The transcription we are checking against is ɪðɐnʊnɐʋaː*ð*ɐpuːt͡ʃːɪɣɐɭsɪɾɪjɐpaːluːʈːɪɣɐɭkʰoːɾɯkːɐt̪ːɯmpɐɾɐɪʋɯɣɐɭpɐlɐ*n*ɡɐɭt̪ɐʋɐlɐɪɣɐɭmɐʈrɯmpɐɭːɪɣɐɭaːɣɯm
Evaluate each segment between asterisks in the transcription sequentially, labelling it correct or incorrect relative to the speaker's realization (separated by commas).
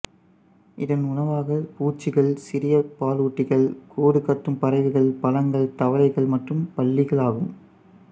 incorrect, incorrect